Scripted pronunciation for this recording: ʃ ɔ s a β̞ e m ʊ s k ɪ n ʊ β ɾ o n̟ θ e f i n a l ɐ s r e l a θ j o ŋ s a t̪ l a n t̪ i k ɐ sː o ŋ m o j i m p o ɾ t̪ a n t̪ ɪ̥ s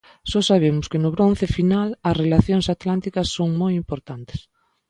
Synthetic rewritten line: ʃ ɔ s a β̞ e m ʊ s k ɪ n ʊ β ɾ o n̟ θ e f i n a l ɐ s r e l a θ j o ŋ s a t̪ l a n t̪ i k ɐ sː o ŋ m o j i m p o ɾ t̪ a n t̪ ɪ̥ s

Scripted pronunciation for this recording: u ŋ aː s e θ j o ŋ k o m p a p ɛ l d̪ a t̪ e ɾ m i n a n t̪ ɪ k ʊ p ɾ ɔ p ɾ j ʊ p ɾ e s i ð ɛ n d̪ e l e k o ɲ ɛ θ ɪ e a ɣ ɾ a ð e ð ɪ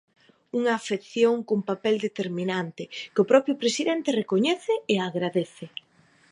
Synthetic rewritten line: u ŋ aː f e θ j o ŋ k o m p a p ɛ l d̪ e t̪ e ɾ m i n a n t̪ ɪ k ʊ p ɾ ɔ p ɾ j ʊ p ɾ e s i ð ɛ n t̪ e r e k o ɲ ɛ θ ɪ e a ɣ ɾ a ð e θ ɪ

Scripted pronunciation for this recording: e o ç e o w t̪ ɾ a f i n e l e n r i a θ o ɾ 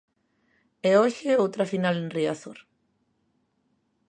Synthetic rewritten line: e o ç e o w t̪ ɾ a f i n a l e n r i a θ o ɾ

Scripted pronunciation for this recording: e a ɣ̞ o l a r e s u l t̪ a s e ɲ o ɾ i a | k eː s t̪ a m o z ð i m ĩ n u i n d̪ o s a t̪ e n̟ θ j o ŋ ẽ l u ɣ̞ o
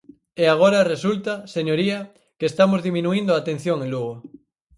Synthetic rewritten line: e a ɣ̞ o ɾ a r e s u l t̪ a s e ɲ o ɾ i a | k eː s t̪ a m o z ð i m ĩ n u i n d̪ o a t̪ e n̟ θ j o ŋ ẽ l u ɣ̞ o

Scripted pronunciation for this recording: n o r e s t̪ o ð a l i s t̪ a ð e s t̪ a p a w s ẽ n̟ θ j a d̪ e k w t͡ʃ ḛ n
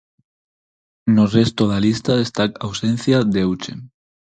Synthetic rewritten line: n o r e s t̪ o ð a l i s t̪ a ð e s t̪ a k a w s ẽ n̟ θ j a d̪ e w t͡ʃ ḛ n

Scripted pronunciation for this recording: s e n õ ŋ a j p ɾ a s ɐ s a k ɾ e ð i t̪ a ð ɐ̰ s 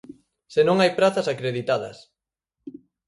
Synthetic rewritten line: s e n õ ŋ a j p ɾ a θ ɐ s a k ɾ e ð i t̪ a ð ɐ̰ s

